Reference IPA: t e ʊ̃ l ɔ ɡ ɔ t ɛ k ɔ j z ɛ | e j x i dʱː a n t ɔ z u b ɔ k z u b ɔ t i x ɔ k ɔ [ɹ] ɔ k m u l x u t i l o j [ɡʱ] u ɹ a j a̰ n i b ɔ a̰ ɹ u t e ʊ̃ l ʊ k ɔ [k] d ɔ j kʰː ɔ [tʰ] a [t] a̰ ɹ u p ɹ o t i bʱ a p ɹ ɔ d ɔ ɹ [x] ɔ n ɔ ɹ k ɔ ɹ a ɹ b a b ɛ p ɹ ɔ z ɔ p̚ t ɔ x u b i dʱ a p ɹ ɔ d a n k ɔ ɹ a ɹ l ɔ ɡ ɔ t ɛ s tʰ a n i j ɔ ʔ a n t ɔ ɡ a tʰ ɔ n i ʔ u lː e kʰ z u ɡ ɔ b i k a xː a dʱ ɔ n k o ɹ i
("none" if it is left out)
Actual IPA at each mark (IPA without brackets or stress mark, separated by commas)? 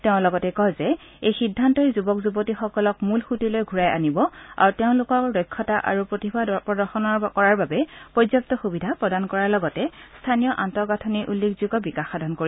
l, ɡʱ, k, t, ʔ, x